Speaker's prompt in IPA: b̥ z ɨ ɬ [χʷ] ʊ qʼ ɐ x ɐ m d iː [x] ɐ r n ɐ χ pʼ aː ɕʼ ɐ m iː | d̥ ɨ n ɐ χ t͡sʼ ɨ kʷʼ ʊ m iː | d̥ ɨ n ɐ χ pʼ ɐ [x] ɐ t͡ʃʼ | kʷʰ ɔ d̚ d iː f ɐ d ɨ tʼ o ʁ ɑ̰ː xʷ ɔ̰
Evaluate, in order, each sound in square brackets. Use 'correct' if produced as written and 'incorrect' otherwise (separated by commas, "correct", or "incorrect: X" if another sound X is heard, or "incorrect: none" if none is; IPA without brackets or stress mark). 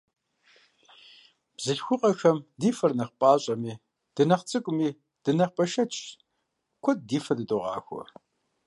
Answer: incorrect: xʷ, incorrect: f, incorrect: ʃ